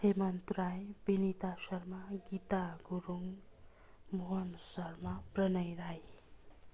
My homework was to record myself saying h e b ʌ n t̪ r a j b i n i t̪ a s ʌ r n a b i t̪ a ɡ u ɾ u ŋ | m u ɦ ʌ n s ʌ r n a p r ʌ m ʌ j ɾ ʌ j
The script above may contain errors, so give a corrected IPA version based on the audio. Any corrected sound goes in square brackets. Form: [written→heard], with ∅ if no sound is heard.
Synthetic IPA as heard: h e [b→m] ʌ n t̪ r a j b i n i t̪ a s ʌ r [n→m] a [b→ɡ] i t̪ a ɡ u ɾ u ŋ | m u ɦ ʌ n s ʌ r [n→m] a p r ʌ [m→n] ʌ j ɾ [ʌ→a] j

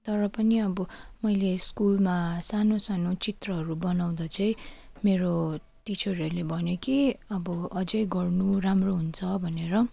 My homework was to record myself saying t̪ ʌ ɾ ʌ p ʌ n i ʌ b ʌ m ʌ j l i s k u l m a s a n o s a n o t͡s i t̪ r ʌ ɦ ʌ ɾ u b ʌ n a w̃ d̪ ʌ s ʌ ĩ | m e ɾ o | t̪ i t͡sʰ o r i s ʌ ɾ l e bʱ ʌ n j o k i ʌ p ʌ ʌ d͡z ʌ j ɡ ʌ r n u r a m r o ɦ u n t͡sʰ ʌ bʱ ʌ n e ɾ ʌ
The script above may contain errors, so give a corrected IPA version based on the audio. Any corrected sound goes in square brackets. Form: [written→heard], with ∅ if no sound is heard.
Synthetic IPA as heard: t̪ ʌ ɾ ʌ p ʌ n i ʌ b ʌ m ʌ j l [i→e] s k u l m a s a n o s a n o t͡s i t̪ r ʌ ɦ ʌ ɾ u b ʌ n a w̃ d̪ ʌ [s→t͡s] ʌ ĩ | m e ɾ o | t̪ i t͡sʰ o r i [s→∅] ʌ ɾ l e bʱ ʌ n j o k i ʌ [p→b] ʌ ʌ d͡z ʌ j ɡ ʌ r n u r a m r o ɦ u n t͡sʰ ʌ bʱ ʌ n e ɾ ʌ

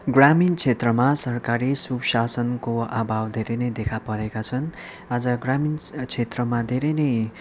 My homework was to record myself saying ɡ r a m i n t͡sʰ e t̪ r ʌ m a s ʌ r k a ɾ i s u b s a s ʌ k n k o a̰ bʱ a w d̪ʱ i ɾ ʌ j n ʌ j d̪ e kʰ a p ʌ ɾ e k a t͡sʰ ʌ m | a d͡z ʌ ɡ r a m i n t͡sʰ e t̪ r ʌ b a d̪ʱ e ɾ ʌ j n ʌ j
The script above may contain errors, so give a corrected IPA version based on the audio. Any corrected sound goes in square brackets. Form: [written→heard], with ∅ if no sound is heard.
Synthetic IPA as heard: ɡ r a m i n t͡sʰ e t̪ r ʌ m a s ʌ r k a ɾ i s u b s a s ʌ [k→∅] n k o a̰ bʱ a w d̪ʱ [i→e] ɾ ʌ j n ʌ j d̪ e kʰ a p ʌ ɾ e k a t͡sʰ ʌ [m→n] | a d͡z ʌ ɡ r a m i n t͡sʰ e t̪ r ʌ [b→m] a d̪ʱ e ɾ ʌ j n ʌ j

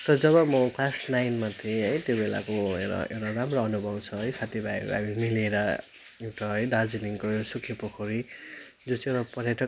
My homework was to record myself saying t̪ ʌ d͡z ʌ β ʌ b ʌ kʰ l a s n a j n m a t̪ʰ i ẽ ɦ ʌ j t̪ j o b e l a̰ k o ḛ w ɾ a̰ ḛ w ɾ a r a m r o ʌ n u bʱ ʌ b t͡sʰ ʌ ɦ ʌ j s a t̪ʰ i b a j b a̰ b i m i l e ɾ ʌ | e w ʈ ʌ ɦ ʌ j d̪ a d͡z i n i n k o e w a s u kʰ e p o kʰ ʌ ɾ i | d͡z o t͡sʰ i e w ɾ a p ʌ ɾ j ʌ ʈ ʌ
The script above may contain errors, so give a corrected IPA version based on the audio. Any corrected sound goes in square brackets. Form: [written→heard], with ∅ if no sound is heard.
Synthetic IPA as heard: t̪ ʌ d͡z ʌ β ʌ [b→m] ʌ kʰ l a s n a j n m a t̪ʰ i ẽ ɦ ʌ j t̪ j o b e l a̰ k o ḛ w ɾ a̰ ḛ w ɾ a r a m r o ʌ n u bʱ ʌ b t͡sʰ ʌ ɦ ʌ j s a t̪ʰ i b a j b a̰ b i m i l e ɾ ʌ | e w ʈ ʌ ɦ ʌ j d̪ a d͡z i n i [n→ŋ] k o e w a s u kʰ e p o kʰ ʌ ɾ i | d͡z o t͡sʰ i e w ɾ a p ʌ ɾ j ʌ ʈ ʌ

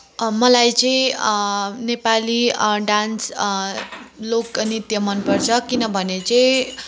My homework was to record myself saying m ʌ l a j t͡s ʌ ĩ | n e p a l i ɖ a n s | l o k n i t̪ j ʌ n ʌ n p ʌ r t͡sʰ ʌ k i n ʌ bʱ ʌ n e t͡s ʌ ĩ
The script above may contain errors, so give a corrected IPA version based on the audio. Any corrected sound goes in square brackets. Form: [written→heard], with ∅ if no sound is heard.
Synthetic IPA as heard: m ʌ l a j t͡s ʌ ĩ | n e p a l i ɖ a n s | l o k n i t̪ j ʌ [n→m] ʌ n p ʌ r t͡sʰ ʌ k i n ʌ bʱ ʌ n e t͡s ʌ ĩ

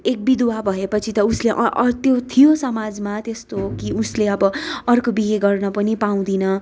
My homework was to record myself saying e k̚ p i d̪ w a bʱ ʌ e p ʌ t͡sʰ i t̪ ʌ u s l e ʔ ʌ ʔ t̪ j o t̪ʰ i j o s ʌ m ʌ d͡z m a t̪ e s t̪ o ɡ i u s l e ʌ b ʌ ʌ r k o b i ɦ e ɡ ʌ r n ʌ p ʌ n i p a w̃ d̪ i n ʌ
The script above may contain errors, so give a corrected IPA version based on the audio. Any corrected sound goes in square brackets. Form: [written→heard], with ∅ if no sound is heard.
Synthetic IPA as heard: e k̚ [p→b] i d̪ w a bʱ ʌ e p ʌ t͡sʰ i t̪ ʌ u s l e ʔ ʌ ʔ t̪ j o t̪ʰ i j o s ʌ m [ʌ→a] d͡z m a t̪ e s t̪ o [ɡ→k] i u s l e ʌ b ʌ ʌ r k o b i ɦ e ɡ ʌ r n ʌ p ʌ n i p a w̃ d̪ i n ʌ

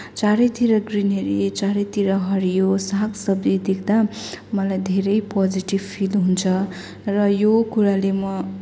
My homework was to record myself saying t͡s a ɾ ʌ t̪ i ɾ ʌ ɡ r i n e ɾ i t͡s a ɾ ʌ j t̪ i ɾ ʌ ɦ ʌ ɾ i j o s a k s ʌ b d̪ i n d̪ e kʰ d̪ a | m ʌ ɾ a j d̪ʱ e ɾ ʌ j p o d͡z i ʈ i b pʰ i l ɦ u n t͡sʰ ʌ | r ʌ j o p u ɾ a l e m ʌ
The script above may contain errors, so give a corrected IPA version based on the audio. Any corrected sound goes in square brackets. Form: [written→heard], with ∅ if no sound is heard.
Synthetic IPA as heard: t͡s a ɾ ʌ t̪ i ɾ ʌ ɡ r i n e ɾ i t͡s a ɾ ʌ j t̪ i ɾ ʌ ɦ ʌ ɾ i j o s a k s ʌ b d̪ i [n→∅] d̪ e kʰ d̪ a | m ʌ [ɾ→l] a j d̪ʱ e ɾ ʌ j p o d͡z i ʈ i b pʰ i l ɦ u n t͡sʰ ʌ | r ʌ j o [p→k] u ɾ a l e m ʌ

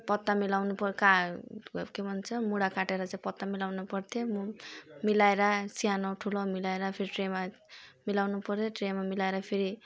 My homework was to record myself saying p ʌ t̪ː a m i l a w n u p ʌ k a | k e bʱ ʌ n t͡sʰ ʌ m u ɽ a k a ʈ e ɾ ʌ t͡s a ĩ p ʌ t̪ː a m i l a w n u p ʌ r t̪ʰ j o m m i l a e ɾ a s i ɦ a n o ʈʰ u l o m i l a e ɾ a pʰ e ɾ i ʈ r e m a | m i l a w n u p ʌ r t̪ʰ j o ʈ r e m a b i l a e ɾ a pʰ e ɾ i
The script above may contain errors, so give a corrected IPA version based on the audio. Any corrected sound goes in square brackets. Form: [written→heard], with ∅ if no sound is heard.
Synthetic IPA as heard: p ʌ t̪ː a m i l a w n u p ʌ k a | k e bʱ ʌ n t͡sʰ ʌ m u ɽ a k a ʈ e ɾ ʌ t͡s a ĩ p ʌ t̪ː a m i l a w n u p ʌ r t̪ʰ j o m m i l a e ɾ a s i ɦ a n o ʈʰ u l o m i l a e ɾ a pʰ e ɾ i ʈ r e m a | m i l a w n u p ʌ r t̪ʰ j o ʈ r e m a [b→m] i l a e ɾ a pʰ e ɾ i

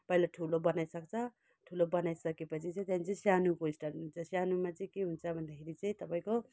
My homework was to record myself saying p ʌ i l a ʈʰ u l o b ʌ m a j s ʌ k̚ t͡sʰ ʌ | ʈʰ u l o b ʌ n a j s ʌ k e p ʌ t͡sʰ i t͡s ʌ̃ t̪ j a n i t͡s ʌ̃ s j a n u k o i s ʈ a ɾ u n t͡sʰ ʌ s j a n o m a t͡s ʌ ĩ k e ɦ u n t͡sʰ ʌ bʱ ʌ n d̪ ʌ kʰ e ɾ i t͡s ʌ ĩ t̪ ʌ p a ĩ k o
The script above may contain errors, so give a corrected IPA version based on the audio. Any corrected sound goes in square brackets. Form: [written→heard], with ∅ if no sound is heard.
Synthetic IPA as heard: p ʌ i l a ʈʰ u l o b ʌ [m→n] a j s ʌ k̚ t͡sʰ ʌ | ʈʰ u l o b ʌ n a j s ʌ k e p ʌ t͡sʰ i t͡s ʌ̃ t̪ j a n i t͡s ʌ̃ s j a n u k o i s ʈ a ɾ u n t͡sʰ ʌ s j a n [o→u] m a t͡s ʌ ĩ k e ɦ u n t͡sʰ ʌ bʱ ʌ n d̪ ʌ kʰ e ɾ i t͡s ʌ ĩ t̪ ʌ p a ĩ k o

